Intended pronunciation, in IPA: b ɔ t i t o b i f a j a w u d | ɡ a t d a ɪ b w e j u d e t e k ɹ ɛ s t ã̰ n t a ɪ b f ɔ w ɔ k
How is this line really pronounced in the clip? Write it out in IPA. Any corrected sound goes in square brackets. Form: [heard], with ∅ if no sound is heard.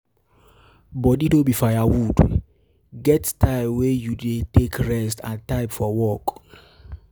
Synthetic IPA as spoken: b ɔ [d] i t o b i f a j a w u d | ɡ [ɛ] t [t] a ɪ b w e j u d e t e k ɹ ɛ s t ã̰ n t a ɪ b f ɔ w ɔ k